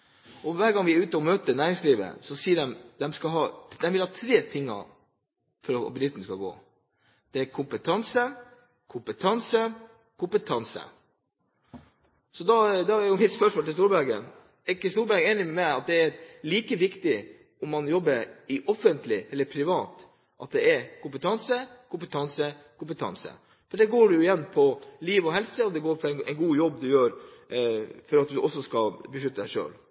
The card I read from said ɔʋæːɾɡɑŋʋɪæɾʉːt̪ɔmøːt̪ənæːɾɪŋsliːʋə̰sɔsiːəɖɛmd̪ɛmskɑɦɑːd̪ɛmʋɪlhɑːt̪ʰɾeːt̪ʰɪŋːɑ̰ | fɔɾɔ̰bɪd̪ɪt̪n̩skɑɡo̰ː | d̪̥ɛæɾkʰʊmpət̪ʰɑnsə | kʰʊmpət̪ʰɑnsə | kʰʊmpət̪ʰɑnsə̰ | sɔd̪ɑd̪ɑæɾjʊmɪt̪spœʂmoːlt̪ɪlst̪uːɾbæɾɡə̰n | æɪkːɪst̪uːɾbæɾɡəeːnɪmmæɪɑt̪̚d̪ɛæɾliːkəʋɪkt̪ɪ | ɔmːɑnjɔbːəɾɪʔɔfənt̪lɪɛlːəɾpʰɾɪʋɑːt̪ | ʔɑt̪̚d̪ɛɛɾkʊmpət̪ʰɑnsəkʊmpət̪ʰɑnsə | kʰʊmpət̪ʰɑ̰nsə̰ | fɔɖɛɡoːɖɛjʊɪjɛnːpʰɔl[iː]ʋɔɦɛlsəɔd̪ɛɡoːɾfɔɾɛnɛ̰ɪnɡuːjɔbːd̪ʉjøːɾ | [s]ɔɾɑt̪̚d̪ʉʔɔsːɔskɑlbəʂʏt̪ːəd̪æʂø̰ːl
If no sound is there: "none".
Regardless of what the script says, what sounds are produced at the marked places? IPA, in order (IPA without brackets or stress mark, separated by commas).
iː, f